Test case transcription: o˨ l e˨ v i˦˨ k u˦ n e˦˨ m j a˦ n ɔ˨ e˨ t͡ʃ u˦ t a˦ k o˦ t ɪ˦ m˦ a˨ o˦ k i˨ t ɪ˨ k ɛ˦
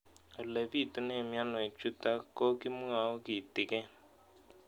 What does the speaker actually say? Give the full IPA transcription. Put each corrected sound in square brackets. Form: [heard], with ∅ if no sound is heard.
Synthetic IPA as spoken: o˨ l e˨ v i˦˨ [t] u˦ n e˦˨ m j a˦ n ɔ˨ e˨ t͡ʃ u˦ t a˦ k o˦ [k] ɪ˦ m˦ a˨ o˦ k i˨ t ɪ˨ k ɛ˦